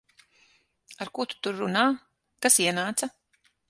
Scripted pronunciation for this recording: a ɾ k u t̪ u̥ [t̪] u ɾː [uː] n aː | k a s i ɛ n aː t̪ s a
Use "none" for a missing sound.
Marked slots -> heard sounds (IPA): t̪, u

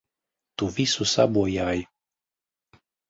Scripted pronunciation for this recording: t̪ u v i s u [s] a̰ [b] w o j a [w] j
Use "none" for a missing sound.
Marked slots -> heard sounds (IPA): s, b, none

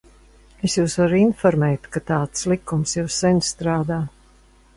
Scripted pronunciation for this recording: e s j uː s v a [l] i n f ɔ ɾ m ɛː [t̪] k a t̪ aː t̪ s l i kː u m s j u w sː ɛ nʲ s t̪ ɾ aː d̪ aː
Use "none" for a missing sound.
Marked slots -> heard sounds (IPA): ɾ, t̪

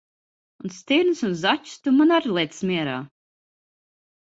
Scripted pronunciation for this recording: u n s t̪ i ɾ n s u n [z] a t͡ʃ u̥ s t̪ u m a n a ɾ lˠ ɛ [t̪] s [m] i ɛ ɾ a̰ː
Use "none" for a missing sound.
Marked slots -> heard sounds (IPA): z, t̪, m

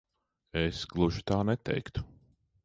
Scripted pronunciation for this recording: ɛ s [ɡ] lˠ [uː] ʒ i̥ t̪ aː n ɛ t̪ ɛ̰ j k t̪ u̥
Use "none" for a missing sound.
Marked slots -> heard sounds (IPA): ɡ, u

